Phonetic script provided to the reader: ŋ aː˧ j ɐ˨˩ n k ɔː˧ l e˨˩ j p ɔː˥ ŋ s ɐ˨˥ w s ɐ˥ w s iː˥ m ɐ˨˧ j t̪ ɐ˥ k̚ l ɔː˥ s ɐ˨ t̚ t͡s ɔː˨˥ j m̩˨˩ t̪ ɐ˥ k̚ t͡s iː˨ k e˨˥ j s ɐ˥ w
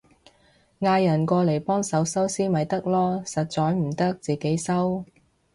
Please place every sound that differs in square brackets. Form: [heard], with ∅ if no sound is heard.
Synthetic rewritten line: ŋ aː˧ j ɐ˨˩ n k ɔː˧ l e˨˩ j p ɔː˥ ŋ s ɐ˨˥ w s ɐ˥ w s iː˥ m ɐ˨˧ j t̪ ɐ˥ k̚ l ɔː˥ s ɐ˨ t̚ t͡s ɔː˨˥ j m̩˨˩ t̪ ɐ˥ k̚ t͡s iː˨ k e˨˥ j s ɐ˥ w